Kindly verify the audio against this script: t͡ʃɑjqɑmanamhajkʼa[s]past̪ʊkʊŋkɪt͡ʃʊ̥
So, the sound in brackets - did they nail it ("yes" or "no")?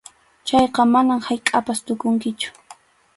no